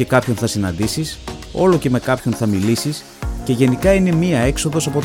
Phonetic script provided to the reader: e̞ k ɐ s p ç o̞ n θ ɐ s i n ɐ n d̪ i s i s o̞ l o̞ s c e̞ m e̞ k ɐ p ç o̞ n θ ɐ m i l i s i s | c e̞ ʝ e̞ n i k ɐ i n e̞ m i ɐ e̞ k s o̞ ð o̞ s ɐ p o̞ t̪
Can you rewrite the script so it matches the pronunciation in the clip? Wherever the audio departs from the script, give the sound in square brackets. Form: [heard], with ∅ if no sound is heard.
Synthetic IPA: e̞ k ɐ [∅] p ç o̞ n θ ɐ s i n ɐ n d̪ i s i s o̞ l o̞ [∅] c e̞ m e̞ k ɐ p ç o̞ n θ ɐ m i l i s i s | c e̞ ʝ e̞ n i k ɐ i n e̞ m i ɐ e̞ k s o̞ ð o̞ s ɐ p o̞ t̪